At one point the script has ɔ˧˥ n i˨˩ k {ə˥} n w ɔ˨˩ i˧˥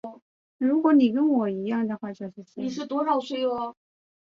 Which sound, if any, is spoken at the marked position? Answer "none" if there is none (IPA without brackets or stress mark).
ə˥